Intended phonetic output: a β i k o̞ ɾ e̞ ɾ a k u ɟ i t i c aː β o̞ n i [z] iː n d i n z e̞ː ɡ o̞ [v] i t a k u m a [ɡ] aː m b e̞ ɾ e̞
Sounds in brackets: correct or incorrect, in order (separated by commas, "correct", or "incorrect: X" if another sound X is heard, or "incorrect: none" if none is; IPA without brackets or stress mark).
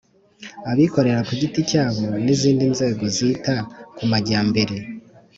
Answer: correct, incorrect: z, incorrect: ɟ